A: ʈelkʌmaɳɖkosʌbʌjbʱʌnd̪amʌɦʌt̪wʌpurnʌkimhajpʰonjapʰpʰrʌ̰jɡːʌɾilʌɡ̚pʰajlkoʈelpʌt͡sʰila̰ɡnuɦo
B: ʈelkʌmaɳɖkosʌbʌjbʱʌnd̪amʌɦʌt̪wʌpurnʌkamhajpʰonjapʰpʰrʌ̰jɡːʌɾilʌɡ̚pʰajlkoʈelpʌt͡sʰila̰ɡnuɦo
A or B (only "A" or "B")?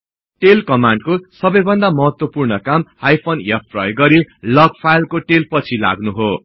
B